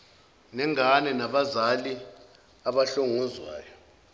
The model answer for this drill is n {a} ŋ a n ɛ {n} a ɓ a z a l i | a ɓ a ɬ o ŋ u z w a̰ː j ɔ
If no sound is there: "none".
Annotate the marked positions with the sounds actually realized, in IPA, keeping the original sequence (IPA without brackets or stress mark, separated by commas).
ɛ, n